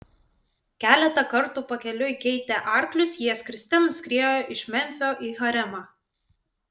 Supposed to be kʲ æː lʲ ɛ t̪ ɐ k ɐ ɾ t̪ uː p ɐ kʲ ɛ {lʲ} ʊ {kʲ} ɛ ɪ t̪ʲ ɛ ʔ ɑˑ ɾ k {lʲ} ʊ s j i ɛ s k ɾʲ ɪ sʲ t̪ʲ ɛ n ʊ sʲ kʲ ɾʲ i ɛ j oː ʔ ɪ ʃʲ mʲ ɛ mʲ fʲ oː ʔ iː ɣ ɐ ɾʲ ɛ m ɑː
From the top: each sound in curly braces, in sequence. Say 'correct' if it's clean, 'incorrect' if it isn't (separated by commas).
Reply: correct, correct, correct